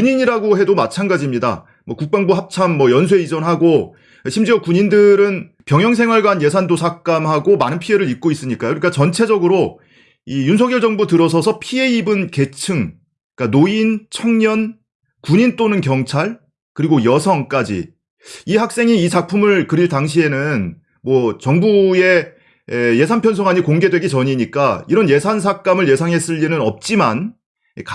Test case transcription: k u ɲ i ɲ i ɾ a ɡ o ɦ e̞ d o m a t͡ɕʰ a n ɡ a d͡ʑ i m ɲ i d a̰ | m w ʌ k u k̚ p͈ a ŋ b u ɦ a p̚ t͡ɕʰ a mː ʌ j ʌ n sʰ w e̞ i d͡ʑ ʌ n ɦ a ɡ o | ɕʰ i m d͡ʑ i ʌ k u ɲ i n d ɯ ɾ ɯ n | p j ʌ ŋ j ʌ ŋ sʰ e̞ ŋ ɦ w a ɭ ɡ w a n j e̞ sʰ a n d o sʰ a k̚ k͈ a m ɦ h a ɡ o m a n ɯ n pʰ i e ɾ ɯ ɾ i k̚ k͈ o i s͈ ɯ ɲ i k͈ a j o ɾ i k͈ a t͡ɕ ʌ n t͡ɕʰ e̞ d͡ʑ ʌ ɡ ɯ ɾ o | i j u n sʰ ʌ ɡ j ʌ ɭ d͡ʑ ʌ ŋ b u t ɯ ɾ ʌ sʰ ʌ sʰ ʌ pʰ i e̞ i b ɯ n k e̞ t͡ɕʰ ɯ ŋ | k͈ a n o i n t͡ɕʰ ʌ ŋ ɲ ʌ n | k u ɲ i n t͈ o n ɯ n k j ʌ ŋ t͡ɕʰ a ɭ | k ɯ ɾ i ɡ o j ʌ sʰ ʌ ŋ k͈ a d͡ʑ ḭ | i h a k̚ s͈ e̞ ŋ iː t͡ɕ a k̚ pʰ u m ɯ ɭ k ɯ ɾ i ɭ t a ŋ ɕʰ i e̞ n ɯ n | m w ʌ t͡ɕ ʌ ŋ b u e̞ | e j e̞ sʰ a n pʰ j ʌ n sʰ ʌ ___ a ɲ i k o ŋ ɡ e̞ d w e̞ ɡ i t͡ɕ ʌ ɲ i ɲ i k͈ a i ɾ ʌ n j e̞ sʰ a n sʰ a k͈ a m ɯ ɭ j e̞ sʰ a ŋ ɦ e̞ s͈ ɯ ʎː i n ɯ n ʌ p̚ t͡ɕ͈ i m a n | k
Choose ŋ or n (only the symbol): ŋ